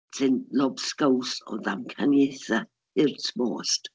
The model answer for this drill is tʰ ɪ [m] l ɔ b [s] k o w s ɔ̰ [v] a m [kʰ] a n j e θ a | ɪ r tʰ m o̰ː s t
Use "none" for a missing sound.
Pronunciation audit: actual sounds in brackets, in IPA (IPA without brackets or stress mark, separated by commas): n, s, ð, kʰ